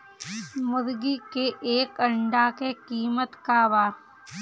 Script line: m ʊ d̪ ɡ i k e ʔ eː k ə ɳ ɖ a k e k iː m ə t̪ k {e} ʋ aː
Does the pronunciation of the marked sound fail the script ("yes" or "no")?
yes